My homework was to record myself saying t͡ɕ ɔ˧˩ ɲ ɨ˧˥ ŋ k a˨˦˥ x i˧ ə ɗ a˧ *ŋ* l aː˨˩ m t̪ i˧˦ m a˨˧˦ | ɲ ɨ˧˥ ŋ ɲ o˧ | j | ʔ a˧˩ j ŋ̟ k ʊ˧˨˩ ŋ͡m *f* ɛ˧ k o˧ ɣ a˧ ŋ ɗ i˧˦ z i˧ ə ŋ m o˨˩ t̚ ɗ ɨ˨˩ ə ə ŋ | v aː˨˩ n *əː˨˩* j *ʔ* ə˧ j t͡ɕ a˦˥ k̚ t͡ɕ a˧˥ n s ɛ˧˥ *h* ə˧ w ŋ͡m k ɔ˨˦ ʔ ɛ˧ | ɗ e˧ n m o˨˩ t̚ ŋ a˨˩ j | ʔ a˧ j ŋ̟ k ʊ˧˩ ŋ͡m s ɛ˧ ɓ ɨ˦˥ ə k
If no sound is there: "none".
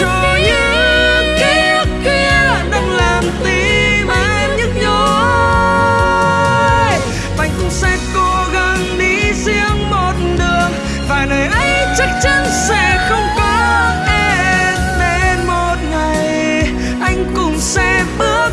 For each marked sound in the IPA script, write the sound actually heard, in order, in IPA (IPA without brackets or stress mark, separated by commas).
ŋ, s, əː˨˩, ʔ, x